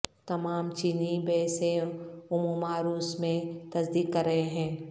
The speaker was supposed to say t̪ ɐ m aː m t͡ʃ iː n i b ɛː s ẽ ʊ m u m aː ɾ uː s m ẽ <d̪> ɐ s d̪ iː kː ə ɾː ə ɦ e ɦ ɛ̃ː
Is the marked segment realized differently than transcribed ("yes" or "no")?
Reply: yes